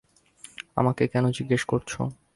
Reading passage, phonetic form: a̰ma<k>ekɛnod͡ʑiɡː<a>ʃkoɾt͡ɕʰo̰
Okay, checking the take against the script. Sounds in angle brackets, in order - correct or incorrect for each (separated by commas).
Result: correct, incorrect